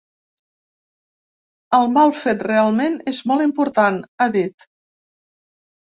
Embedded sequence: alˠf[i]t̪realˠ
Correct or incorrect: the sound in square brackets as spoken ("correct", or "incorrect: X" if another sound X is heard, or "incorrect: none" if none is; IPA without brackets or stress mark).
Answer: incorrect: e